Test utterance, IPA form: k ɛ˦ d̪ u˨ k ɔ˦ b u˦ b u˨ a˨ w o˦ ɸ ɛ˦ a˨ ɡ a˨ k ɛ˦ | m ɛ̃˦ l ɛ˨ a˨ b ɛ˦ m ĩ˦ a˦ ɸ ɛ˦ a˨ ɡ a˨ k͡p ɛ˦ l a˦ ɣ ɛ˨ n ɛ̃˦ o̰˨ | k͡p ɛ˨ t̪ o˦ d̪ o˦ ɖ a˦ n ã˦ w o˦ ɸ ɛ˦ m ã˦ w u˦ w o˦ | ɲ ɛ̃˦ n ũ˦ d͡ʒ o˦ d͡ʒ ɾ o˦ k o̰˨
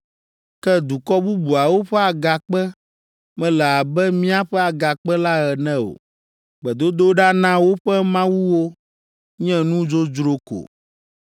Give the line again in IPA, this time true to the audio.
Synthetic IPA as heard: k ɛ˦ d̪ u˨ k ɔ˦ b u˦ b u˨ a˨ w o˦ ɸ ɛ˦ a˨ ɡ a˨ k͡p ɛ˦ | m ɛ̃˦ l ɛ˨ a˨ b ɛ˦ m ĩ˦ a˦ ɸ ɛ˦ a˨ ɡ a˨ k͡p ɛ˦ l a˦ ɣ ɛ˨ n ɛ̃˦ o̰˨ | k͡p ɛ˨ d̪ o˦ d̪ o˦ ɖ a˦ n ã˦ w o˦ ɸ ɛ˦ m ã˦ w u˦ w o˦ | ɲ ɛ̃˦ n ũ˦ d͡ʒ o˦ d͡ʒ ɾ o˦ k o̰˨